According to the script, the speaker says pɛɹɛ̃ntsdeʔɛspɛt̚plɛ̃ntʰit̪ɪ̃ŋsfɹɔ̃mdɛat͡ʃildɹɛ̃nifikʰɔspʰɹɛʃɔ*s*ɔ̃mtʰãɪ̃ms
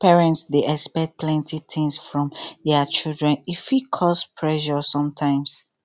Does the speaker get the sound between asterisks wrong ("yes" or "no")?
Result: no